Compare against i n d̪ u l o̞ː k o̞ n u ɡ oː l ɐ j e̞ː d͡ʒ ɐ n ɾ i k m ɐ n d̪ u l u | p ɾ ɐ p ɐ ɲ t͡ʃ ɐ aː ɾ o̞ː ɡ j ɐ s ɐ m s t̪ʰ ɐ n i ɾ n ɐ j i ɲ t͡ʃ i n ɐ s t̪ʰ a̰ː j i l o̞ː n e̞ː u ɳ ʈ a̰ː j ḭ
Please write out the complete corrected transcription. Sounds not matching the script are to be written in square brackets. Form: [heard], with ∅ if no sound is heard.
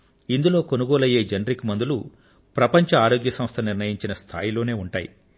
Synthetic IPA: i n d̪ u l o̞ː k o̞ n u ɡ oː l ɐ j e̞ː d͡ʒ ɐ n ɾ i k m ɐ n d̪ u l u | p ɾ ɐ p ɐ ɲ t͡ʃ ɐ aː ɾ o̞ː ɡ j ɐ s ɐ m s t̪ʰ ɐ n i ɾ n ɐ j i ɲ t͡ʃ i n ɐ s t̪ʰ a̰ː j i l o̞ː n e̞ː u ɳ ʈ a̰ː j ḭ